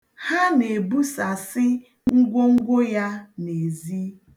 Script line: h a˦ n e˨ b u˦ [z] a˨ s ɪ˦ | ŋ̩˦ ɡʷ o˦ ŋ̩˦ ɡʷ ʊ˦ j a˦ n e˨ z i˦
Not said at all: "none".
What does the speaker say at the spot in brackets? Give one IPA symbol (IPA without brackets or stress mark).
s